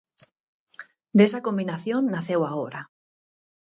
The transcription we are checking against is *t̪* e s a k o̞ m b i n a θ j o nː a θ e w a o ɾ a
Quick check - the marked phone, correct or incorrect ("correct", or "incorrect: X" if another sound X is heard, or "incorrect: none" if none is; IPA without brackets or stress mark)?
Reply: incorrect: d̪